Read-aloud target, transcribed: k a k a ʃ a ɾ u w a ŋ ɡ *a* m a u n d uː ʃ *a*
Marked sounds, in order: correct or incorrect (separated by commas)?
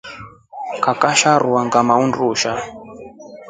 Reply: correct, correct